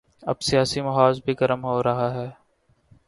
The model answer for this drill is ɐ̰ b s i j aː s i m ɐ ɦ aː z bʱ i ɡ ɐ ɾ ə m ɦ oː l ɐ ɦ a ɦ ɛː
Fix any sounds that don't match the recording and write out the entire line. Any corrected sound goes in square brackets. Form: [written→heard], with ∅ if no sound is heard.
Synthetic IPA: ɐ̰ b s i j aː s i m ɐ ɦ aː z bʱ i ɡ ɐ ɾ ə m ɦ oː [l→ɾ] ɐ ɦ a ɦ ɛː